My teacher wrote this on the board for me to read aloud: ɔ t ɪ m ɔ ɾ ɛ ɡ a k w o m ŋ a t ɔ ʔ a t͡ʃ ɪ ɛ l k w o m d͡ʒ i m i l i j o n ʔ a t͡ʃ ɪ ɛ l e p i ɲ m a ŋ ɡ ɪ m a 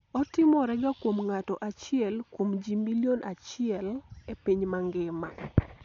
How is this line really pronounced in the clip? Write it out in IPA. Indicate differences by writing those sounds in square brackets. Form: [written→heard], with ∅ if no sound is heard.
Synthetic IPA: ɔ t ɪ m ɔ ɾ ɛ ɡ a k w o m ŋ a t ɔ ʔ a t͡ʃ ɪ ɛ l k w o m d͡ʒ i m i l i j o n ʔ a t͡ʃ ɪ ɛ l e p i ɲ m a ŋ ɡ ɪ m a